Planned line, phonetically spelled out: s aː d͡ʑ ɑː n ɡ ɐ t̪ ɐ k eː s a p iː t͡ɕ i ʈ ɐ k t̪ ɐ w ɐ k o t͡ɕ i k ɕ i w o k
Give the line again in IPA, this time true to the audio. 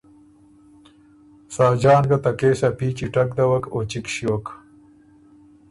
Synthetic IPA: s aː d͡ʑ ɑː n ɡ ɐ t̪ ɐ k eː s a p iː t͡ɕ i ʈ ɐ k d̪ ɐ w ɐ k o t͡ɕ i k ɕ i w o k